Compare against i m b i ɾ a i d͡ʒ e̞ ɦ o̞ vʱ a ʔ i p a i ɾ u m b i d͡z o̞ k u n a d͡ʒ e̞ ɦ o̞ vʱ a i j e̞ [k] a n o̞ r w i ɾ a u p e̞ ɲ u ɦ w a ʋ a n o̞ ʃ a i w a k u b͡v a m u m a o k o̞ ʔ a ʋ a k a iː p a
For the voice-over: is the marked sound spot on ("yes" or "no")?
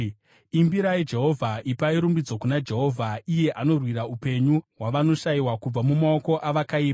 no